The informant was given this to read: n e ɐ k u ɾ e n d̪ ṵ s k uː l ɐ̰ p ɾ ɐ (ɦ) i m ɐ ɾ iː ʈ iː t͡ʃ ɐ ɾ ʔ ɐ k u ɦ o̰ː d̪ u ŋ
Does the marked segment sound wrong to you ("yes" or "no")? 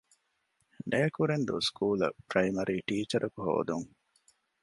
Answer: yes